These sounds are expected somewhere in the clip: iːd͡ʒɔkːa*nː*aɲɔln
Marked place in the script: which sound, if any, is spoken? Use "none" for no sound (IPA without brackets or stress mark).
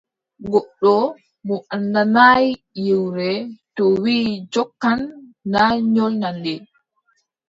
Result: nː